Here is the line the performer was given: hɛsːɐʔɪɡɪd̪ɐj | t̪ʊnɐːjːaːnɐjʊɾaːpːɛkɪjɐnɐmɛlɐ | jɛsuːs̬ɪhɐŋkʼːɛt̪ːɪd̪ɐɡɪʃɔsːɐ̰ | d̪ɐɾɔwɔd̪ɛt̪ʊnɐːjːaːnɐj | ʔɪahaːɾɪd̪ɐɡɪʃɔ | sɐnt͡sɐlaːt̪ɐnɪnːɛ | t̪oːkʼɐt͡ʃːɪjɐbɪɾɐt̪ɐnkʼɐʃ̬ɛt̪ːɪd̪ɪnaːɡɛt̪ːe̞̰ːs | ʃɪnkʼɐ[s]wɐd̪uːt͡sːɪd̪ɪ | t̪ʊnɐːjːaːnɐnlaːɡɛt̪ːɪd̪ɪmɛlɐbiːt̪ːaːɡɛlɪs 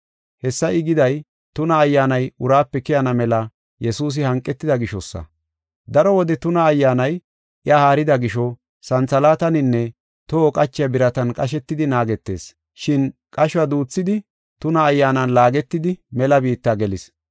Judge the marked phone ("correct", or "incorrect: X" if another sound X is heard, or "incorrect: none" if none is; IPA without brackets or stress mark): incorrect: ʃ